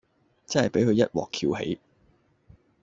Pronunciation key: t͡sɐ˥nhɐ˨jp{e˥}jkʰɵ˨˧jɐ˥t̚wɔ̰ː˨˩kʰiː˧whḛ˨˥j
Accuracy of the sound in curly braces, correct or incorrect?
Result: incorrect